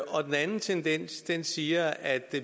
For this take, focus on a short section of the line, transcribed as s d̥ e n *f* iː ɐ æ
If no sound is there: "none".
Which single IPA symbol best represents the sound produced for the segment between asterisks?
s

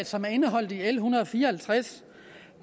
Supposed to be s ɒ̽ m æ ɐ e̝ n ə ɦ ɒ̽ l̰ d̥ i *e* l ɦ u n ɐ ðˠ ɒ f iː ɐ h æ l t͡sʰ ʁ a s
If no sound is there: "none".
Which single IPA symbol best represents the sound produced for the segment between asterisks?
e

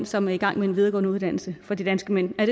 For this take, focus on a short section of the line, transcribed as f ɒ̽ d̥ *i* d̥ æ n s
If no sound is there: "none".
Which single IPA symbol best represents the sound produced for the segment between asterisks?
i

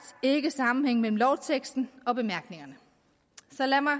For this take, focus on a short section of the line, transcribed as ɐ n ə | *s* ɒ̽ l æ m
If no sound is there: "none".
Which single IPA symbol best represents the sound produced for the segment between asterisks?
s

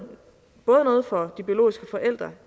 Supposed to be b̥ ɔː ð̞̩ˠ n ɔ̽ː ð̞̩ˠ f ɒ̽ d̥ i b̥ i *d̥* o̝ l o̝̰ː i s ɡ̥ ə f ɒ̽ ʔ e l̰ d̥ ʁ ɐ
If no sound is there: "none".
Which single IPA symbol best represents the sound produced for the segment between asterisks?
none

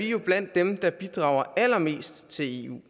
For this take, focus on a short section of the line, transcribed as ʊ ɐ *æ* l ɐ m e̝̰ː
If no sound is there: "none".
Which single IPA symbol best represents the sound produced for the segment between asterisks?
æ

